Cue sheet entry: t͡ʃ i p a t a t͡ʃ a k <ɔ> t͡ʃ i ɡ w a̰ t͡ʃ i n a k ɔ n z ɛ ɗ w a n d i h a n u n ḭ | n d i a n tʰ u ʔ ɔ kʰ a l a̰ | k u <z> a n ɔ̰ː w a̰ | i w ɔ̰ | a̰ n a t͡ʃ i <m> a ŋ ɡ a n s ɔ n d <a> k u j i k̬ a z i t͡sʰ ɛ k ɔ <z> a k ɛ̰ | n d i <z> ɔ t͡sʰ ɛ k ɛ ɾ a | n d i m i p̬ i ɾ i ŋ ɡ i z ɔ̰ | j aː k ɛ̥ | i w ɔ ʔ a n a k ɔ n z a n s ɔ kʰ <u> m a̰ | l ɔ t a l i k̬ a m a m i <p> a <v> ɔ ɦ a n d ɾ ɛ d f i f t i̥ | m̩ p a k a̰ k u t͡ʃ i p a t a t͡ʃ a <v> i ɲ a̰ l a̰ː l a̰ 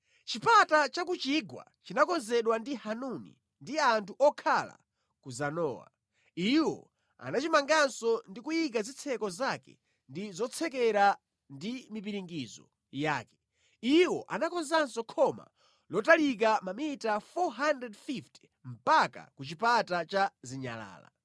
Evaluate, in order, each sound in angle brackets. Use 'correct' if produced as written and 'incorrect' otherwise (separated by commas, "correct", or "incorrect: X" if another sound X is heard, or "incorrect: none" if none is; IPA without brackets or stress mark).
incorrect: u, correct, correct, incorrect: i, correct, correct, incorrect: ɔ, incorrect: t, incorrect: f, incorrect: z